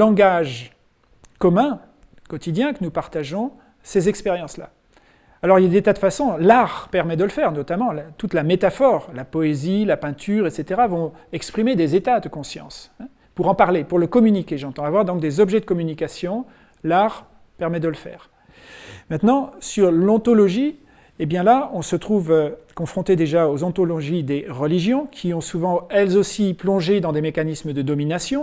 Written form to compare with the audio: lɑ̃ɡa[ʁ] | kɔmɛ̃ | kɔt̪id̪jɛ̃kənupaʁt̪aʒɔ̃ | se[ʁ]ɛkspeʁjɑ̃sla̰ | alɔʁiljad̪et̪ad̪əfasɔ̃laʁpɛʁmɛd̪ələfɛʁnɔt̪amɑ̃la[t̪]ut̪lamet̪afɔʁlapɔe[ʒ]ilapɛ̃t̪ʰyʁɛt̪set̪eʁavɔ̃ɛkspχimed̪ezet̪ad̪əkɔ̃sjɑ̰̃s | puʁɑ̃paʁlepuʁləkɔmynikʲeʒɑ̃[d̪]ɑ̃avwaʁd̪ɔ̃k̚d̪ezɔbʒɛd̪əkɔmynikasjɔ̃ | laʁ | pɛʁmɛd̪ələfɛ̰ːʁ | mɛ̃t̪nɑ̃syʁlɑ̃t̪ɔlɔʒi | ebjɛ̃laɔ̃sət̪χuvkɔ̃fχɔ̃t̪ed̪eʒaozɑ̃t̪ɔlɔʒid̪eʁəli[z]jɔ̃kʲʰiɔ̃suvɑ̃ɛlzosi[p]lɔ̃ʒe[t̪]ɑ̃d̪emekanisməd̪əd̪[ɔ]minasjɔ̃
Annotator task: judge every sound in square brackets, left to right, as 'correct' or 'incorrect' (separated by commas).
incorrect, incorrect, correct, incorrect, incorrect, incorrect, correct, incorrect, correct